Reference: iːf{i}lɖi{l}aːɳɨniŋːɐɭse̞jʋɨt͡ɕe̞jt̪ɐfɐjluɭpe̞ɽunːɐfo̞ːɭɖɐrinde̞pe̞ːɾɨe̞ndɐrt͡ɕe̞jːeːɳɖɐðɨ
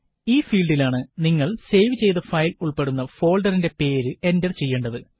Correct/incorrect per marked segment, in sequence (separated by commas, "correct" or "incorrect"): incorrect, correct